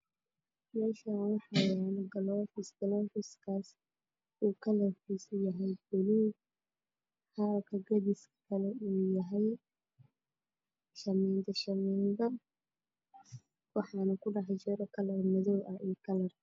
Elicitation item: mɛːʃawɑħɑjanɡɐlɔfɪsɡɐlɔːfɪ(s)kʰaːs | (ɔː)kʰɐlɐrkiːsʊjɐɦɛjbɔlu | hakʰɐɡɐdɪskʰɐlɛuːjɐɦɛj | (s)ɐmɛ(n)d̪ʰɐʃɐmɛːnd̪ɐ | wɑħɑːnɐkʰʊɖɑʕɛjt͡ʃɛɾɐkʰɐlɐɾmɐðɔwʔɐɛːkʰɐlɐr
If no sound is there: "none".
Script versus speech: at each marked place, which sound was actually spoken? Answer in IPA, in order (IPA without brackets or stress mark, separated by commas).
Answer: s, uː, ʃ, n